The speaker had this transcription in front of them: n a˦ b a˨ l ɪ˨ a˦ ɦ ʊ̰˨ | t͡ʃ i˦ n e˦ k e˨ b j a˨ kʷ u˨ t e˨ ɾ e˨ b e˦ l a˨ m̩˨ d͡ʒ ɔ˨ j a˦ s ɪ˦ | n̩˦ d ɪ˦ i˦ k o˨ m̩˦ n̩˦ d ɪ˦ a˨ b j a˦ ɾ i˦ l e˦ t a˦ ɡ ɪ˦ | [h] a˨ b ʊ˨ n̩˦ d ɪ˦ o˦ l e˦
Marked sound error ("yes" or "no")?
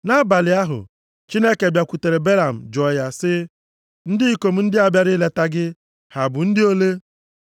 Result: no